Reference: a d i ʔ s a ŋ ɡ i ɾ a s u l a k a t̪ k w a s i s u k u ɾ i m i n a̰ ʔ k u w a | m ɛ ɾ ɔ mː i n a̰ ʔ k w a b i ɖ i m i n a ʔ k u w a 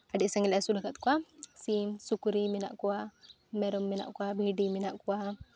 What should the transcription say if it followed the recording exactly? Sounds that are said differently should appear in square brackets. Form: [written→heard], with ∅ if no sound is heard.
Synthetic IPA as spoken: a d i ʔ s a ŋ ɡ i [ɾ→l] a s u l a k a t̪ k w a s i s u k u ɾ i m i n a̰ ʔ k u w a | m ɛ ɾ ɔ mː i n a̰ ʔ k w a b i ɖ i m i n a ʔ k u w a